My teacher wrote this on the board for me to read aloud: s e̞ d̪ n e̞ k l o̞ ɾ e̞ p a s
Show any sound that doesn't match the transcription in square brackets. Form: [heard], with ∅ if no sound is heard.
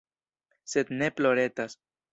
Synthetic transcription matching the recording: s e̞ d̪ n e̞ [p] l o̞ ɾ e̞ [t] a s